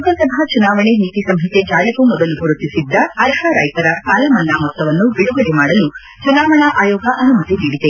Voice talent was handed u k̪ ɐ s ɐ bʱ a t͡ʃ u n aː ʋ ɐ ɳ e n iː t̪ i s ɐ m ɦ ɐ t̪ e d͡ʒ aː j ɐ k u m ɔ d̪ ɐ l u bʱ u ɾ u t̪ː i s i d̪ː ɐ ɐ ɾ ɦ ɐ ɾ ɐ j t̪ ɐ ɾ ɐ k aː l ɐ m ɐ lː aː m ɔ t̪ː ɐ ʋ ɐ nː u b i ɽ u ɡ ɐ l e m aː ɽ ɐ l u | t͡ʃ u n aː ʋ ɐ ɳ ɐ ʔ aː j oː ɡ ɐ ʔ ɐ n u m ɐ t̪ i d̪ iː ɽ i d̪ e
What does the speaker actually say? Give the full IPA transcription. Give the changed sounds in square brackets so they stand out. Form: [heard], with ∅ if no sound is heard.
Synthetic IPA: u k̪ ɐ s ɐ bʱ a t͡ʃ u n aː ʋ ɐ ɳ e n iː t̪ i s ɐ m ɦ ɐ t̪ e d͡ʒ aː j ɐ k u m ɔ d̪ ɐ l u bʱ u ɾ u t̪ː i s i d̪ː ɐ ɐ ɾ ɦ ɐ ɾ ɐ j t̪ ɐ ɾ ɐ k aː l ɐ m ɐ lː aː m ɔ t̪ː ɐ ʋ ɐ nː u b i ɽ u ɡ ɐ [ɽ] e m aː ɽ ɐ l u | t͡ʃ u n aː ʋ ɐ ɳ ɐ ʔ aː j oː ɡ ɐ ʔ ɐ n u m ɐ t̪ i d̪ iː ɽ i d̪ e